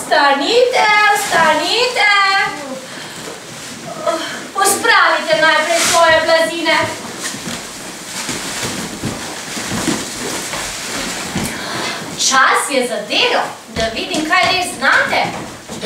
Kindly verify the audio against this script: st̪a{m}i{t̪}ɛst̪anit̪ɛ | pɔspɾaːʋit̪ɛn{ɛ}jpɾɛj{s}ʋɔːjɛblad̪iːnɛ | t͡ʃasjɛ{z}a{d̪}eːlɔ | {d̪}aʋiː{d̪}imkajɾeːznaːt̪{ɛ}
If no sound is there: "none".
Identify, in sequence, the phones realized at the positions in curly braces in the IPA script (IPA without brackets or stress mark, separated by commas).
n, t̪, a, s, z, d̪, d̪, d̪, ɛ